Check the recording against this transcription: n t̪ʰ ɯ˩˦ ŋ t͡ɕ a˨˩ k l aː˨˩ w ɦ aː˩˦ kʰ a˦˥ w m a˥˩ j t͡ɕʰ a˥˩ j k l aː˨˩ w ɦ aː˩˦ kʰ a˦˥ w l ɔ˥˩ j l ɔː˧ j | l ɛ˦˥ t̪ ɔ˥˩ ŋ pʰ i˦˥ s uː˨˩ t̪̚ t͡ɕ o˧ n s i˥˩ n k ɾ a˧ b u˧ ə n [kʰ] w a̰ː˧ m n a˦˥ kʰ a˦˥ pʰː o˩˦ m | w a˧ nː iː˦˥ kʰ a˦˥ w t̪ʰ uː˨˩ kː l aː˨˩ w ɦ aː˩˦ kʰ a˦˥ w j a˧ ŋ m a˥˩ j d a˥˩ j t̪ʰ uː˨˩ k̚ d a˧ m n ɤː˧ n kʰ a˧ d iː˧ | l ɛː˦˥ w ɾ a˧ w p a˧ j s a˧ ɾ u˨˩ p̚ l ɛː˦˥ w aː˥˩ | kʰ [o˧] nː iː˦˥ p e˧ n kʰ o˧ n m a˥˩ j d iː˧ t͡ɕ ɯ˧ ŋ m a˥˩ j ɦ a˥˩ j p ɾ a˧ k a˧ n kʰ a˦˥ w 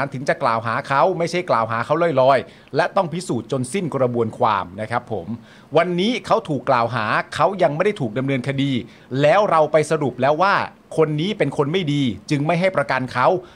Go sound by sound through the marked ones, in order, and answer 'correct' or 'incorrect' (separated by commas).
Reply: correct, correct